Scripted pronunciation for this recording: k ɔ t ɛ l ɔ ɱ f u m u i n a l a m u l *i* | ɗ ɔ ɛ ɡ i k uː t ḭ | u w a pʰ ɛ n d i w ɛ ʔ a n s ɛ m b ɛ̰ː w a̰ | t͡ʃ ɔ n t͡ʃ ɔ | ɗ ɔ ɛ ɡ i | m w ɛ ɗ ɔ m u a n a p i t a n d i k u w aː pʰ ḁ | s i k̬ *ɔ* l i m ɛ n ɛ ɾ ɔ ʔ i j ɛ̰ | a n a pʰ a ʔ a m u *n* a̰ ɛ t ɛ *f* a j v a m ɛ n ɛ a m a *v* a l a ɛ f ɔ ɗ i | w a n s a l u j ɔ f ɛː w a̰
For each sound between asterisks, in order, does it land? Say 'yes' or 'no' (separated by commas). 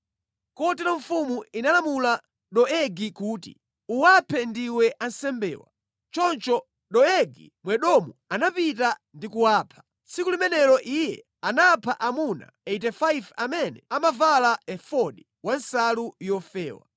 no, no, yes, yes, yes